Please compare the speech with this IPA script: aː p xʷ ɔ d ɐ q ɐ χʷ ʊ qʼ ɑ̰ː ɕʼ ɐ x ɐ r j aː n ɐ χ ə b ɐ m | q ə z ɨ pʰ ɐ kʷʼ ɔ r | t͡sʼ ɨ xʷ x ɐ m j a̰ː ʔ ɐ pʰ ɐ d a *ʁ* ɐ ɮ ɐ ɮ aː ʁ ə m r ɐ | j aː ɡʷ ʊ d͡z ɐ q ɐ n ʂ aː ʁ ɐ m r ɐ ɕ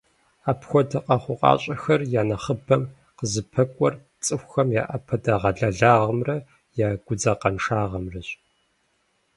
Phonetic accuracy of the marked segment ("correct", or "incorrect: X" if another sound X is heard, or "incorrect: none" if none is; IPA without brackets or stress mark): correct